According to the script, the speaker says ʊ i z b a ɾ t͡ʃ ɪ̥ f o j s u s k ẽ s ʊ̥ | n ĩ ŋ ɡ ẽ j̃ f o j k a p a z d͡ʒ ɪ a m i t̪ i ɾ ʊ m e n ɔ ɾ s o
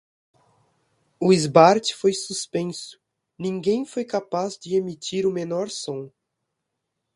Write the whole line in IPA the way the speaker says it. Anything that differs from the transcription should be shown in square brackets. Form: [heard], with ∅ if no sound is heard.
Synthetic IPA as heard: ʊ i z b a ɾ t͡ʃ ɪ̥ f o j s u s [p] ẽ s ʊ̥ | n ĩ ŋ ɡ ẽ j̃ f o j k a p a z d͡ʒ ɪ [e] m i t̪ i ɾ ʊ m e n ɔ ɾ s [õ]